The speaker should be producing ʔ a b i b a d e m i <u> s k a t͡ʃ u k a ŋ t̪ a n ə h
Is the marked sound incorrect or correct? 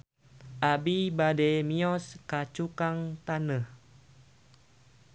incorrect